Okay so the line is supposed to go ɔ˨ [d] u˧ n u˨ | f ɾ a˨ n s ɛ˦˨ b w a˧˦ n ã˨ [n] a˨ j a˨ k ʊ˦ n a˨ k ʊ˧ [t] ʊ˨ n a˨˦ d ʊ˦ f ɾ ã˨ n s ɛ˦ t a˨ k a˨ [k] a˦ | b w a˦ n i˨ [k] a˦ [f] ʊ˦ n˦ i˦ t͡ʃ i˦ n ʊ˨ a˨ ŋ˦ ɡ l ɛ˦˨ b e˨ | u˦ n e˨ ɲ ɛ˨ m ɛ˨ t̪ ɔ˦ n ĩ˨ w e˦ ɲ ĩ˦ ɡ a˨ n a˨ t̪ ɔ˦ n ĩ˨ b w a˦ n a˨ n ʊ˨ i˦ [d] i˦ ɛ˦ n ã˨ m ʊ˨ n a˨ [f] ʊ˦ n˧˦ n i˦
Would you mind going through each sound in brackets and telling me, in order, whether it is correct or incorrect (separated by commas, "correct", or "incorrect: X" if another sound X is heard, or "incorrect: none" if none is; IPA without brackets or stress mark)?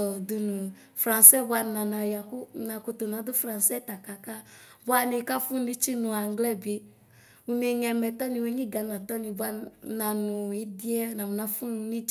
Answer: correct, correct, correct, correct, correct, correct, correct, correct